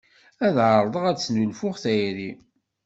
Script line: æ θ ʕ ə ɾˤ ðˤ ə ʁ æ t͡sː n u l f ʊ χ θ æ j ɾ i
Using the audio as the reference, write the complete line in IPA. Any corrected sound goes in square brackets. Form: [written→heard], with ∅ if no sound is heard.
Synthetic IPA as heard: æ [θ→ð] ʕ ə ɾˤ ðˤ ə ʁ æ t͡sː n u l f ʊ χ θ æ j ɾ i